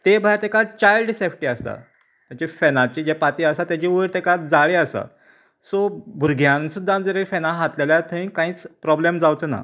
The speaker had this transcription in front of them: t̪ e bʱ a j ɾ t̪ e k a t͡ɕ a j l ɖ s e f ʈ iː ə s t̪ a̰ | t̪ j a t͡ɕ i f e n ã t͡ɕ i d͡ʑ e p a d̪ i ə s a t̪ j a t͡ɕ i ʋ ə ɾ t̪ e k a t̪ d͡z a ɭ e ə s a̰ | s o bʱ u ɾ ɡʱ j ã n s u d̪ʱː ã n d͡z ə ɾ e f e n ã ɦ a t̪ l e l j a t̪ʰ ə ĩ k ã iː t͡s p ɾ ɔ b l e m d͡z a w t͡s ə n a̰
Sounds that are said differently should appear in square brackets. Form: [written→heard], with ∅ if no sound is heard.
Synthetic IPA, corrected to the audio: t̪ e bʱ a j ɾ t̪ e k a t͡ɕ a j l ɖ s e f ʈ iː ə s t̪ a̰ | t̪ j a t͡ɕ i f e n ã t͡ɕ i d͡ʑ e p a [d̪→t̪] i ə s a t̪ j a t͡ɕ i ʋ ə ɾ t̪ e k a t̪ d͡z a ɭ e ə s a̰ | s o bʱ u ɾ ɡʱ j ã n s u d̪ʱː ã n d͡z ə ɾ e f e n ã ɦ a t̪ l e l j a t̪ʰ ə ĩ k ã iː t͡s p ɾ ɔ b l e m d͡z a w t͡s ə n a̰